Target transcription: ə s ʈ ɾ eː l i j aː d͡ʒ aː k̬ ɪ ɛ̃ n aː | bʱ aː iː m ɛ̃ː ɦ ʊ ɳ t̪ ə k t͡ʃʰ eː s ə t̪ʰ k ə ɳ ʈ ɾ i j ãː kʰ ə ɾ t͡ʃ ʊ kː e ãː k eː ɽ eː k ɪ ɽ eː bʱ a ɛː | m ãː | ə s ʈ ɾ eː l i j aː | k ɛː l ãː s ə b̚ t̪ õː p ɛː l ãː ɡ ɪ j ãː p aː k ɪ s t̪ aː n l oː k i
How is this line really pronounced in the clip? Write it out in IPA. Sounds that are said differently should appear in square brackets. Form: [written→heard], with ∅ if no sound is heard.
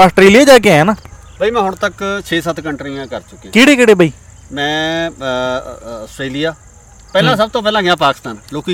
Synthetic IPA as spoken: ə s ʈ ɾ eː l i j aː d͡ʒ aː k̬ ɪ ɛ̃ n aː | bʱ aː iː m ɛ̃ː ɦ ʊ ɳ t̪ ə k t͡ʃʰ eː s ə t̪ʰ k ə ɳ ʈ ɾ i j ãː [kʰ→k] ə ɾ t͡ʃ ʊ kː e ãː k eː ɽ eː k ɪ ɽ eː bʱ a [ɛː→iː] | m [ãː→ɛ̃ː] | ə s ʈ ɾ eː l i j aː | [k→p] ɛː l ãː s ə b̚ t̪ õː p ɛː l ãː ɡ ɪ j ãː p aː k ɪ s t̪ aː n l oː k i